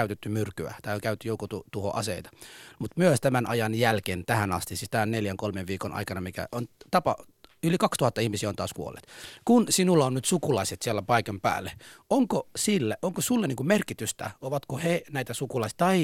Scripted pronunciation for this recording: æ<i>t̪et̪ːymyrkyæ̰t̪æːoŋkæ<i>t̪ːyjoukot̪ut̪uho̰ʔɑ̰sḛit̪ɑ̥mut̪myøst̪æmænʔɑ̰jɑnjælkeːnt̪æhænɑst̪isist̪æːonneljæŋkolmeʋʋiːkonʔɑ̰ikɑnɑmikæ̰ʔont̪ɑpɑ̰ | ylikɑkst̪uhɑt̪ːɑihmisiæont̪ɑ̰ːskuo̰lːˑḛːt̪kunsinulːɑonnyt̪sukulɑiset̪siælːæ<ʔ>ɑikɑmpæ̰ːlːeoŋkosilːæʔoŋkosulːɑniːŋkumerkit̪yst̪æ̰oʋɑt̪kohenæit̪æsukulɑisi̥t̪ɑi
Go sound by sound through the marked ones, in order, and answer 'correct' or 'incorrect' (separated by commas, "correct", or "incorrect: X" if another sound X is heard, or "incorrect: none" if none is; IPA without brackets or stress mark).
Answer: incorrect: y, incorrect: y, incorrect: p